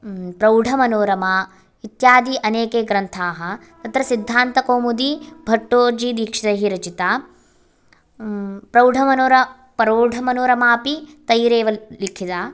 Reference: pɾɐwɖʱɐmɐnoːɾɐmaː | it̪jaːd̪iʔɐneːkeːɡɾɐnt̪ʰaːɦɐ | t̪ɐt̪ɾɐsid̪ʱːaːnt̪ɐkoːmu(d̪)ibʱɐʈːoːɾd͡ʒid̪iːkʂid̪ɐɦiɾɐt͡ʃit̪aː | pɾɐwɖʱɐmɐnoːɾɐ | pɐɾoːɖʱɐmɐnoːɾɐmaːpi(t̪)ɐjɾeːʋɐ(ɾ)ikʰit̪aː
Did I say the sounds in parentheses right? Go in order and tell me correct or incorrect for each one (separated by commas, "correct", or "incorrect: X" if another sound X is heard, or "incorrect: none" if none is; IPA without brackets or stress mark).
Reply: correct, correct, incorrect: l